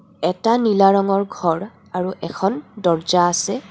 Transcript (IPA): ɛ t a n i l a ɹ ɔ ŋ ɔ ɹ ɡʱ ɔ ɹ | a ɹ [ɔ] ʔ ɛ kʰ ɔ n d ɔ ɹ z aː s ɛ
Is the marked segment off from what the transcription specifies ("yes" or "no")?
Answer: yes